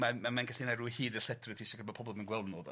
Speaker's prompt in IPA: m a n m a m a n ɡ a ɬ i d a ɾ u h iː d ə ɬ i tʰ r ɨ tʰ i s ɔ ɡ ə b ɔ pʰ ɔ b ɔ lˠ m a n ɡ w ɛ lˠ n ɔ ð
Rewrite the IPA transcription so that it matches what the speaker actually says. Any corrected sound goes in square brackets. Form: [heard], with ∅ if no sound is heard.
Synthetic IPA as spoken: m a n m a m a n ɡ a ɬ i [n] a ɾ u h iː d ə ɬ [ɛ] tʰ r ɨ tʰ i s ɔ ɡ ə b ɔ pʰ ɔ b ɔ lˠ m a n ɡ w ɛ lˠ n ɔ ð